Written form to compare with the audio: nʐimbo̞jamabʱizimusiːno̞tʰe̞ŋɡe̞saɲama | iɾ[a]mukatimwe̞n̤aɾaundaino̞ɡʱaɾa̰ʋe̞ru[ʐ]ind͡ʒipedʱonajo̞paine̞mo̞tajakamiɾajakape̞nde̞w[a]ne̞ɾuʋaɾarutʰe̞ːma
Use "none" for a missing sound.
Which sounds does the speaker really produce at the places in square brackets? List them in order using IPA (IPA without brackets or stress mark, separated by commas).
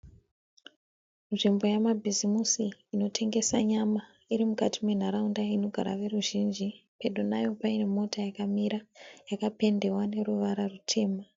i, ʒ, a